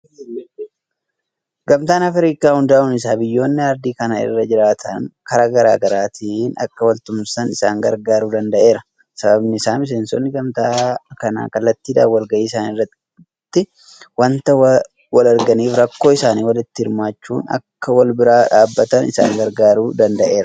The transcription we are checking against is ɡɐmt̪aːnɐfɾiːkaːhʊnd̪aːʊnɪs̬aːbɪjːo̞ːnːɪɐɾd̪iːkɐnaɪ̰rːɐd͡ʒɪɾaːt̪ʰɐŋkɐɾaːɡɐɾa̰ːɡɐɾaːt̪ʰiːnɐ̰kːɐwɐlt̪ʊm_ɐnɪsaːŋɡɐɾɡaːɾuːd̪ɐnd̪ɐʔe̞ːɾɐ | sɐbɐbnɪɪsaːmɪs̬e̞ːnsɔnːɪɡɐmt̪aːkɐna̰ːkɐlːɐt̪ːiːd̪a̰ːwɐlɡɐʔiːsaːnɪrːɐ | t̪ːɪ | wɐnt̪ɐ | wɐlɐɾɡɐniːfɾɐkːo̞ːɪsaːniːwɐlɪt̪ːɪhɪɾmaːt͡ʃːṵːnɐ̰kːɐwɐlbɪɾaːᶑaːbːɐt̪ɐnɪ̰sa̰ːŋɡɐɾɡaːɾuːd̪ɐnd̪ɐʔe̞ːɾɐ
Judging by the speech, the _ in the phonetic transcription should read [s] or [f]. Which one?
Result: s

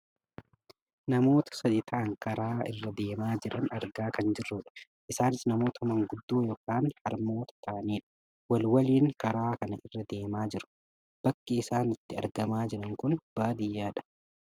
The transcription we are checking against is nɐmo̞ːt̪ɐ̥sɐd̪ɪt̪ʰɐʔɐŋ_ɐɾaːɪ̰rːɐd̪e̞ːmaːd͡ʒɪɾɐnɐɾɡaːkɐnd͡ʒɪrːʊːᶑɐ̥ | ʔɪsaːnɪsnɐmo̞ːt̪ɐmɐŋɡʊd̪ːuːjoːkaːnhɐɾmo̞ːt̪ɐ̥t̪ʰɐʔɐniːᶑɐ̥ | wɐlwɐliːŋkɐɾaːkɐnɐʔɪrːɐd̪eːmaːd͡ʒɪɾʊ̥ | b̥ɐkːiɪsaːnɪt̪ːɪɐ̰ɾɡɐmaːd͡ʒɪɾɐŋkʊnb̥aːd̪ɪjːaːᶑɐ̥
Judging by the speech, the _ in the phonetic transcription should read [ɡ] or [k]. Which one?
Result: k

